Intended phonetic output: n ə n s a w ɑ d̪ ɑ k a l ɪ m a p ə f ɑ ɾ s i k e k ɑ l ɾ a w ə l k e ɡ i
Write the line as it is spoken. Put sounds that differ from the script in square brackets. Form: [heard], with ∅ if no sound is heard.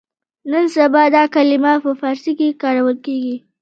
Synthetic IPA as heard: n ə n s a [b] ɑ d̪ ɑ k a l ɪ m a p ə f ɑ ɾ s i k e k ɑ [∅] ɾ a w ə l k e ɡ i